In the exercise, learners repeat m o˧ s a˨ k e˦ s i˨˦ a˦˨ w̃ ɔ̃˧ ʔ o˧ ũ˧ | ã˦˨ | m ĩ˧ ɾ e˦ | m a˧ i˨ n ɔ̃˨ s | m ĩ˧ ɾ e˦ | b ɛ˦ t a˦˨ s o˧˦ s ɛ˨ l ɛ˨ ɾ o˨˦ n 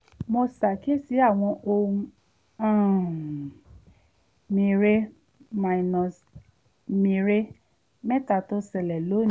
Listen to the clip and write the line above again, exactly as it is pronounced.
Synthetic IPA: m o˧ s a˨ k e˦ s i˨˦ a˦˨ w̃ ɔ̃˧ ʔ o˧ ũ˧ | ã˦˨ | m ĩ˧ ɾ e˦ | m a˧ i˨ n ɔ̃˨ s | m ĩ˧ ɾ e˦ | m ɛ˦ t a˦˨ t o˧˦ s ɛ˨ l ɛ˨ l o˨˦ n